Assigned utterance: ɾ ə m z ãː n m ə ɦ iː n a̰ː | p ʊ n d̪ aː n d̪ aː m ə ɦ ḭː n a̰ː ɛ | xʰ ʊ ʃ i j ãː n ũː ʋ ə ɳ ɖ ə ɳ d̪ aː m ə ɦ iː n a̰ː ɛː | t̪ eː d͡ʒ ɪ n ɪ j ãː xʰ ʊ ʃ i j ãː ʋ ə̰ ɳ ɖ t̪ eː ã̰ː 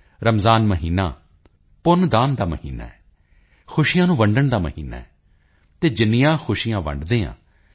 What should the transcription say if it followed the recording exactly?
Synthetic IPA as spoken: ɾ ə m z aː n m ə ɦ iː n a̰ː | p ʊ n d̪ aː n d̪ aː m ə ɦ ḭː n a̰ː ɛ | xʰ ʊ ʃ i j ãː n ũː ʋ ə ɳ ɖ ə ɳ d̪ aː m ə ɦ iː n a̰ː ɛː | t̪ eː d͡ʒ ɪ n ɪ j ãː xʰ ʊ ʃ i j ãː ʋ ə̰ ɳ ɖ d̪ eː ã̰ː